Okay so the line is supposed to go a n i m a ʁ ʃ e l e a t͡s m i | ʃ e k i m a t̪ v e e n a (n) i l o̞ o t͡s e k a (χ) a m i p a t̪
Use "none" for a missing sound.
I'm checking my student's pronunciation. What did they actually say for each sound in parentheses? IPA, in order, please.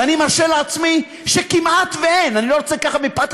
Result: n, χ

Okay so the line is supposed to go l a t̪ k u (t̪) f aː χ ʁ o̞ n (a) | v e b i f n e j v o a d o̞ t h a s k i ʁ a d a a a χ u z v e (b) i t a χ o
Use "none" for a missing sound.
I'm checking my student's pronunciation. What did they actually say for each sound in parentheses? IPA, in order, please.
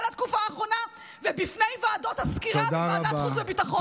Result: none, a, b

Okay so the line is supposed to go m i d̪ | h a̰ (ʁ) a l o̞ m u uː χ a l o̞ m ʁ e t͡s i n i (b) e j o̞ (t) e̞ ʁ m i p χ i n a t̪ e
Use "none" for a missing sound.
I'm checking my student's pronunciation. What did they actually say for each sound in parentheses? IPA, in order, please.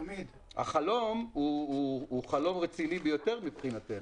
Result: χ, b, t

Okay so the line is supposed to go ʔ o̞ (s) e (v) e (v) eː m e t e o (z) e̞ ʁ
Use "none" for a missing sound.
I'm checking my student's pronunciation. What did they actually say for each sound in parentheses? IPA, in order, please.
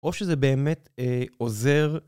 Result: ʃ, z, b, z

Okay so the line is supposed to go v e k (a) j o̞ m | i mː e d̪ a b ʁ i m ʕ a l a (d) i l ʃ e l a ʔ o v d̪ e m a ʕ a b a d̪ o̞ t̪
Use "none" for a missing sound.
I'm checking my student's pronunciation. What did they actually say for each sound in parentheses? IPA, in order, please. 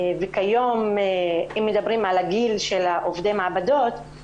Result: a, ɡ

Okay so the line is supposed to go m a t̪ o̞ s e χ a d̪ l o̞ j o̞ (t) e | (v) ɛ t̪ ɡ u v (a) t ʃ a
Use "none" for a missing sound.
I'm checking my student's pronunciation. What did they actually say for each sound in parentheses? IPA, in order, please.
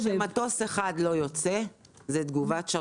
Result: t͡s, z, a

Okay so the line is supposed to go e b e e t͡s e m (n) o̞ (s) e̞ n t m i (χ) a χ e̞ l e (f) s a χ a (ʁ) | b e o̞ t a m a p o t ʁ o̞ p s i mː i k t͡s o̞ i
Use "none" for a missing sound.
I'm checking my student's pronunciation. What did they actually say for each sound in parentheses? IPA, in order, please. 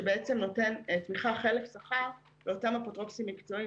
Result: n, t, χ, f, ʁ

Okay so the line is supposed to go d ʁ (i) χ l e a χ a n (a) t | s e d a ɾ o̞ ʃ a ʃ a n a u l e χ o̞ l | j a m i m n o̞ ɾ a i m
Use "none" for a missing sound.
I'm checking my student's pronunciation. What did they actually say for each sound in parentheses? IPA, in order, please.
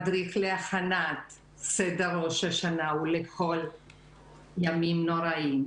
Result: i, a

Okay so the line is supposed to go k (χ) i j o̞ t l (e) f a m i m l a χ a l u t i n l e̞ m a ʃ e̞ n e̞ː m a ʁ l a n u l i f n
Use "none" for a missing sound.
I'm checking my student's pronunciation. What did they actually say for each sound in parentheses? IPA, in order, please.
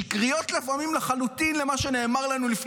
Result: ʁ, e

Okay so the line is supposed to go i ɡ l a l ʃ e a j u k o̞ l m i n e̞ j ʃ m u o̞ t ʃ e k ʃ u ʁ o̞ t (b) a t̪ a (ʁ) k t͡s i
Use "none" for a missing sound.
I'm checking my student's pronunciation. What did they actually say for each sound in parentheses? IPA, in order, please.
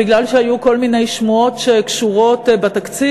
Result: b, none

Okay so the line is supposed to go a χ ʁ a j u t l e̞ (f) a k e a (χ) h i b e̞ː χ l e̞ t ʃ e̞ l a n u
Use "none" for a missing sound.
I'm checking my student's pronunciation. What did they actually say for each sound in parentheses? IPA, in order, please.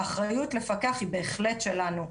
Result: f, χ

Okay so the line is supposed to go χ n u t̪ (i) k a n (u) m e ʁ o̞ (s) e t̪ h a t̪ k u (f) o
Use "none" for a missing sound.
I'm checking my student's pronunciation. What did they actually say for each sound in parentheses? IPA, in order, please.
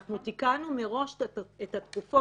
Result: i, u, ʃ, f

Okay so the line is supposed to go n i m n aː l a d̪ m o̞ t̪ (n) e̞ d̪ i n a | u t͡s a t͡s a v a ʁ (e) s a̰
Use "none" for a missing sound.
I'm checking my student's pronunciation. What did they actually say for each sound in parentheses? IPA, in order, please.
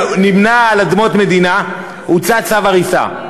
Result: m, i

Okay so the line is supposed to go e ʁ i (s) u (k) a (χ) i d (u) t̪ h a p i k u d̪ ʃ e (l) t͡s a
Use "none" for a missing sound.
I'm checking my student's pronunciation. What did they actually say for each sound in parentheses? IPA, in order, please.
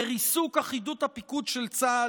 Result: s, k, χ, u, l

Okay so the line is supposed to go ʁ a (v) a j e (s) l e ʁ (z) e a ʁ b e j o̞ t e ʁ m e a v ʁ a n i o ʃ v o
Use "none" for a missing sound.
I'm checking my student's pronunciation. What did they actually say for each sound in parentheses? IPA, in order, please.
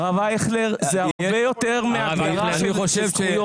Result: v, χ, z

